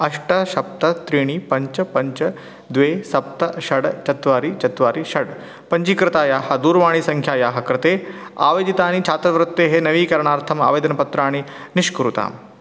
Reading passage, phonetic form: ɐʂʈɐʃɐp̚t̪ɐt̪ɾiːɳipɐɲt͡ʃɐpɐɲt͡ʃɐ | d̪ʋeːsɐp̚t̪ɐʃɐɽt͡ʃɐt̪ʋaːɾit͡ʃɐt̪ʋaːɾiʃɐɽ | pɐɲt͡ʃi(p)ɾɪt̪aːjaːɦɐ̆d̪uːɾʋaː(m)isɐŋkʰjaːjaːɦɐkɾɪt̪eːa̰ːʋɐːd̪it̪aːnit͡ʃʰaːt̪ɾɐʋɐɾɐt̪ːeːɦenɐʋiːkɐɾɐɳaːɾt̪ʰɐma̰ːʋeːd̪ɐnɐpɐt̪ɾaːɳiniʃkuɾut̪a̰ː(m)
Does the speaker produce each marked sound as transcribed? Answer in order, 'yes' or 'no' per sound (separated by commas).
no, no, yes